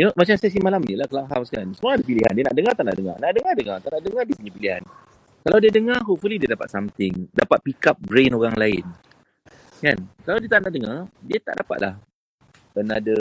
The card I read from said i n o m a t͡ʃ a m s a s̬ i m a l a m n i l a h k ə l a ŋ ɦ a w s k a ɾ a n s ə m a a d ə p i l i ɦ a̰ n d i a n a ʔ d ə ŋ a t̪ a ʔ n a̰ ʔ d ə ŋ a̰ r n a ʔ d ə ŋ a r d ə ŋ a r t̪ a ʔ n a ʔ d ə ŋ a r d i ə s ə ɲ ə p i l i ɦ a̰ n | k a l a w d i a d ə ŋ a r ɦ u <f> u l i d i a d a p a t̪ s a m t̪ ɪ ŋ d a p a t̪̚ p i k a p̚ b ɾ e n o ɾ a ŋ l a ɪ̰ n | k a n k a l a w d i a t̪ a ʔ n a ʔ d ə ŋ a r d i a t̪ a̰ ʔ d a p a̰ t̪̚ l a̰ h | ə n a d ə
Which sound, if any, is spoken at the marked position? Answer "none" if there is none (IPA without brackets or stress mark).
f